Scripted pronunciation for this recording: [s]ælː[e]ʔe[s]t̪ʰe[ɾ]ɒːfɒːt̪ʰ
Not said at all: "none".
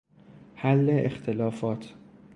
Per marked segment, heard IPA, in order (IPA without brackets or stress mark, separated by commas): h, e, x, l